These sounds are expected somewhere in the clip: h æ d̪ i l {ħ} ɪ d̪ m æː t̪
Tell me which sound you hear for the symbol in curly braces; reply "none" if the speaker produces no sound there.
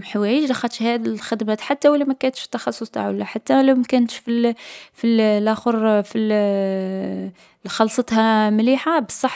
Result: x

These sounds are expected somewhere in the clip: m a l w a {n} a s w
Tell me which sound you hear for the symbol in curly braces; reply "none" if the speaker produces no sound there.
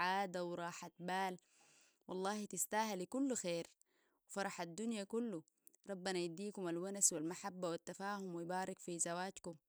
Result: n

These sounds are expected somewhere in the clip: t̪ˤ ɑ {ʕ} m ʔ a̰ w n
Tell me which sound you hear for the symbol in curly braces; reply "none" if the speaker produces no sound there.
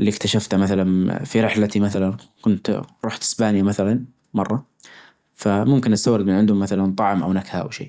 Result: ʕ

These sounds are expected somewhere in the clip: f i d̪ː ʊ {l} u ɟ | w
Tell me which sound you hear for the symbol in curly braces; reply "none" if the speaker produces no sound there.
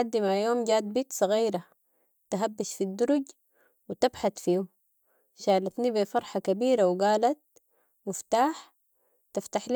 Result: ɾ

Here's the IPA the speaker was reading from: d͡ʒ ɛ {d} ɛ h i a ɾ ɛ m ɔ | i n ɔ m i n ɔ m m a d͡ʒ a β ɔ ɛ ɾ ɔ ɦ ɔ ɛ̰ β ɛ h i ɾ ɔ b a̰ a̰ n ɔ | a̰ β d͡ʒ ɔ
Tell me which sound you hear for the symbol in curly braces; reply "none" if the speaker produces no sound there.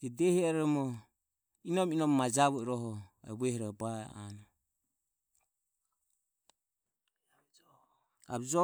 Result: d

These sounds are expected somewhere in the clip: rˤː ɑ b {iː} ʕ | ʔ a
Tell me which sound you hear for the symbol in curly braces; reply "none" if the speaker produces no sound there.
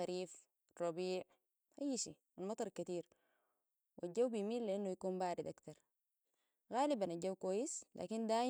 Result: iː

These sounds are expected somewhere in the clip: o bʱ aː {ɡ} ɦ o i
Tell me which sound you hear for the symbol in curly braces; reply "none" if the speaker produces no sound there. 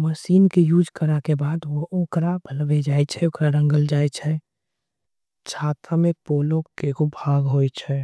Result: ɡ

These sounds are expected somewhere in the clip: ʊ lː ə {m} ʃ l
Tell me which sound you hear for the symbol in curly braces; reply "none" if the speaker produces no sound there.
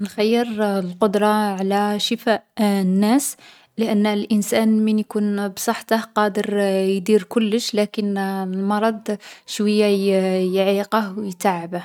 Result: none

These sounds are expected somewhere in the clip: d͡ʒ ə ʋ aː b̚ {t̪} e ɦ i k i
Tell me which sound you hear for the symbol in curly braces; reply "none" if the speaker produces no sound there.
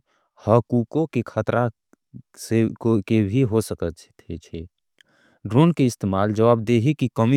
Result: d̪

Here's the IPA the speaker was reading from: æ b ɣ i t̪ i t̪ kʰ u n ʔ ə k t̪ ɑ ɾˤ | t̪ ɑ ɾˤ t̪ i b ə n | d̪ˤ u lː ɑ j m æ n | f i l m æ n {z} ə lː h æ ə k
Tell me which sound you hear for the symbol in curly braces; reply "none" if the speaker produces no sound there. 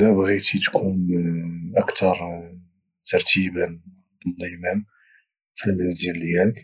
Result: z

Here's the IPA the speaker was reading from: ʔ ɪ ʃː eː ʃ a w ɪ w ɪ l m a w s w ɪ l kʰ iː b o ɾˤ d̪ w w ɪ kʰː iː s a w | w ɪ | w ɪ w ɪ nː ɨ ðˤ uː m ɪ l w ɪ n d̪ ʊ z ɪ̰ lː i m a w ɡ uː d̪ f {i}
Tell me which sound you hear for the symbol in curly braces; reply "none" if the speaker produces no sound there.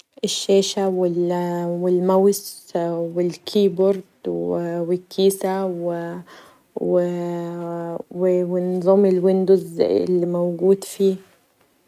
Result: iː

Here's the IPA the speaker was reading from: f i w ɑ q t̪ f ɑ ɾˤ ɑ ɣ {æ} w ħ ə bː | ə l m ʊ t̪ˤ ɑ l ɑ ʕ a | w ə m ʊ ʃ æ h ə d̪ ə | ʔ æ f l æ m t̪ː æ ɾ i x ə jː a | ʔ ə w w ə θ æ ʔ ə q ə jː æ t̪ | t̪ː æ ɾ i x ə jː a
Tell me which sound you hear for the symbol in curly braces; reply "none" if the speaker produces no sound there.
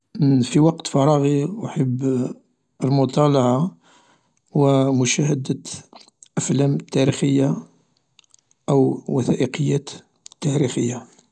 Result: i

